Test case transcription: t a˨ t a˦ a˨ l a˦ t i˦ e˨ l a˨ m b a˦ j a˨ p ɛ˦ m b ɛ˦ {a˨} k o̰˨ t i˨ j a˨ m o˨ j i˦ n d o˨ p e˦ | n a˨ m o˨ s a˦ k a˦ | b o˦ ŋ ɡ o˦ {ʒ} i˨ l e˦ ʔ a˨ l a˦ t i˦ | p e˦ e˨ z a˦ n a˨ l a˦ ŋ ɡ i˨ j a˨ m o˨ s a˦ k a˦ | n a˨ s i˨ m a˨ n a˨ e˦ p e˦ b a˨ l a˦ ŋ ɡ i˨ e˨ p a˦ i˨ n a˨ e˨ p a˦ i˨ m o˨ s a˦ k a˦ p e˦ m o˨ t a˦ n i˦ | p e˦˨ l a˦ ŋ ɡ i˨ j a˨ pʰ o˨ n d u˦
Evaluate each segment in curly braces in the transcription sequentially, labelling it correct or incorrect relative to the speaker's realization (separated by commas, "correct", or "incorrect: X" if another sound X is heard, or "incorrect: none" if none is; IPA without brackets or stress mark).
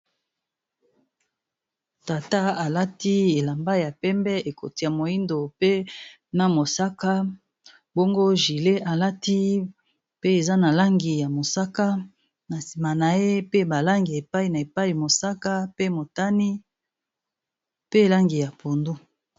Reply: incorrect: e˨, correct